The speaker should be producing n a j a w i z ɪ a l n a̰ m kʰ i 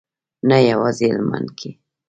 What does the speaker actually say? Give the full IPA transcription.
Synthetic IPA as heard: n a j a w a z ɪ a l m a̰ n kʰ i